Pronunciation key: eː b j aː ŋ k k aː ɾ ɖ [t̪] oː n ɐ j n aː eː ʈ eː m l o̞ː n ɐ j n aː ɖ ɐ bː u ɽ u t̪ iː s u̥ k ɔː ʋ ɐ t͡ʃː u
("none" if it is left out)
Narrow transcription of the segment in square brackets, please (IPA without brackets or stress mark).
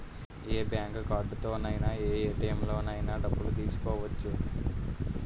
t̪